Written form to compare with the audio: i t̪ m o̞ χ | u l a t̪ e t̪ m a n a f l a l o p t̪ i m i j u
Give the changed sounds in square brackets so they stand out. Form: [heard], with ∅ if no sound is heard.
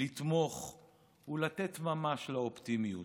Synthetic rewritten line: i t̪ m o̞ χ | u l a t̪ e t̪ m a [m] a [ʃ] l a [∅] o p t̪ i m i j u